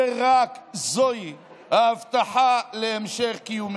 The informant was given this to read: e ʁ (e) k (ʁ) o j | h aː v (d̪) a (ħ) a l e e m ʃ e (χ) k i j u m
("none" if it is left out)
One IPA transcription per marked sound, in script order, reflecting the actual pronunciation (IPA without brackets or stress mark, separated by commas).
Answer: a, z, t̪, ħ, χ